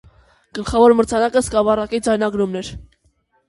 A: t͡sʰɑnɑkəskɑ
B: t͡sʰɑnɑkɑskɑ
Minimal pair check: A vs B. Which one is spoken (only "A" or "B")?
A